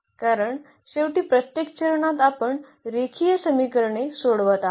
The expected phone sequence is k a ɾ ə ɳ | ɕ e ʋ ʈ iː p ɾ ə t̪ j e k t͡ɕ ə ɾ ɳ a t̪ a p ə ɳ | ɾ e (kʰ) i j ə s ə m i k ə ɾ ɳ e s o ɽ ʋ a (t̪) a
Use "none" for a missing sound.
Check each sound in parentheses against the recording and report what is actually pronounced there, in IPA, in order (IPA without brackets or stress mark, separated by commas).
kʰ, t̪